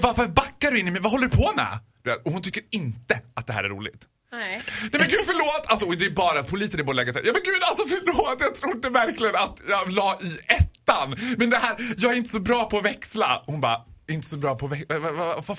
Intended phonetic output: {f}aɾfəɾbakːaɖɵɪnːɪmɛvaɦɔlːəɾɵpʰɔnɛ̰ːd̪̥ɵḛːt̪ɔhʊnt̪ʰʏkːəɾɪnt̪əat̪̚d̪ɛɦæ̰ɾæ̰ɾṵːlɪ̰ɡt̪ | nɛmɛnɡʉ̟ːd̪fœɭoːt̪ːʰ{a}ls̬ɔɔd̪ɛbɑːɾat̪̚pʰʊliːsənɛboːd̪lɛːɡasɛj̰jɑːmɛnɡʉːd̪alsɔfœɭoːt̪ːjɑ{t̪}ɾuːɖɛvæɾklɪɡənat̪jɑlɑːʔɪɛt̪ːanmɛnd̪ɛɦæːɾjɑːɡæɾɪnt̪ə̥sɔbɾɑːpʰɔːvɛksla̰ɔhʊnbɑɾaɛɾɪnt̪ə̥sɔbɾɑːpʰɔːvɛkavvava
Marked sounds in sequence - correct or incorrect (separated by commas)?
incorrect, correct, incorrect